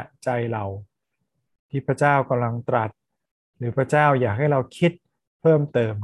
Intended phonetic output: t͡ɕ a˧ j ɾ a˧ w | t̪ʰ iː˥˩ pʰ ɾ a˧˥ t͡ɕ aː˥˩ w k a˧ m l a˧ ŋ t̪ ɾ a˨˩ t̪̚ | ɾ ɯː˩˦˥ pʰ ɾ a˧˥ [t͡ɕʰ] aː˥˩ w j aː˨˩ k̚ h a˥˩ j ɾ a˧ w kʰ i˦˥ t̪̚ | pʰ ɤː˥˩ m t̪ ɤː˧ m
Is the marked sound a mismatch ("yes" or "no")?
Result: yes